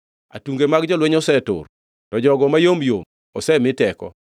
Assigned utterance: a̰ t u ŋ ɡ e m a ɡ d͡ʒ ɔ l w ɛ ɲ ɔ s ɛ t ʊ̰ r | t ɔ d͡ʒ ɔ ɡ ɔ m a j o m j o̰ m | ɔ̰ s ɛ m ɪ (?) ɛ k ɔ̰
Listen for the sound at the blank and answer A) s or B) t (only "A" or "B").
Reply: B